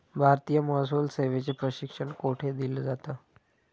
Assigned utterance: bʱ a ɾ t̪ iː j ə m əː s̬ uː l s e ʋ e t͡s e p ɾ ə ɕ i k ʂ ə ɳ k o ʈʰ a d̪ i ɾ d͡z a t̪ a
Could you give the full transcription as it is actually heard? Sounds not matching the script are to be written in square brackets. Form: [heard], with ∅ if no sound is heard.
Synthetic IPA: bʱ a ɾ t̪ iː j ə m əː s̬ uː l s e ʋ e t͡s e p ɾ ə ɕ i k ʂ ə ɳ k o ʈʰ [e] d̪ i [l] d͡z a t̪ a